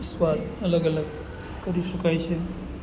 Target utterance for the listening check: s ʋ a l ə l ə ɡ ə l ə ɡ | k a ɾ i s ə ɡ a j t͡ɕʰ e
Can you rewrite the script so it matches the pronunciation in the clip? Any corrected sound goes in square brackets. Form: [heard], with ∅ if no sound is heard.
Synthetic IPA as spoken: s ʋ a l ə l ə ɡ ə l ə ɡ | k [ə] ɾ i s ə [k] a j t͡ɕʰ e